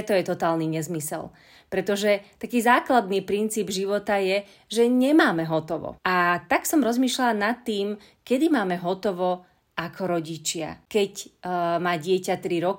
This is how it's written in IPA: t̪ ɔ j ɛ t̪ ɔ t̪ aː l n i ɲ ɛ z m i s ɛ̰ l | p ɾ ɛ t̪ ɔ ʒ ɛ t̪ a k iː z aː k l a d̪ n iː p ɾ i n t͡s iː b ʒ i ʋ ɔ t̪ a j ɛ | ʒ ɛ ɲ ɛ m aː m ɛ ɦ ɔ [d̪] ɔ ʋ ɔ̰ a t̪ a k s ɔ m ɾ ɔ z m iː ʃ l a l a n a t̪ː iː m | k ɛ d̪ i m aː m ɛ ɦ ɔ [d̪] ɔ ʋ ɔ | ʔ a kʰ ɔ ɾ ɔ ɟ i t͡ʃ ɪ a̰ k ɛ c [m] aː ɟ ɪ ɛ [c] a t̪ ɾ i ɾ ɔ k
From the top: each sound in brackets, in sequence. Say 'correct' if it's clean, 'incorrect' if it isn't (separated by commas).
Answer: incorrect, incorrect, correct, correct